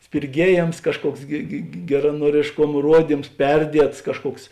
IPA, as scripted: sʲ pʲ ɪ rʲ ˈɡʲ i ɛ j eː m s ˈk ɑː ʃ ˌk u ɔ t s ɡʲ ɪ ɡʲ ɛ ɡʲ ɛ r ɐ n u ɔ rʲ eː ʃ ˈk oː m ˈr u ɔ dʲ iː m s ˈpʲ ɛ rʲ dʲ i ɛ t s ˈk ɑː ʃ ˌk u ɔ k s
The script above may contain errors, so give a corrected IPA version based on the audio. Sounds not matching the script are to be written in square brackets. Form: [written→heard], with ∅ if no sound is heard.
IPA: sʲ pʲ ɪ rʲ ˈɡʲ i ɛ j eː m s ˈk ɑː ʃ ˌk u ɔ [t→k] s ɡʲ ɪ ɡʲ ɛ ɡʲ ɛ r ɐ n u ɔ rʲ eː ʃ ˈk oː m ˈr u ɔ dʲ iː m s ˈpʲ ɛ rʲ dʲ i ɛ t s ˈk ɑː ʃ ˌk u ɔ k s